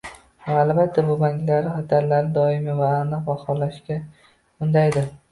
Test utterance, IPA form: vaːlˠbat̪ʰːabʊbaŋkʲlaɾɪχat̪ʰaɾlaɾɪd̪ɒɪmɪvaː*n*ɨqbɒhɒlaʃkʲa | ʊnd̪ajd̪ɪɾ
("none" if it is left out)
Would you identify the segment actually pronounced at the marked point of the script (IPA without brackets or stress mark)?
n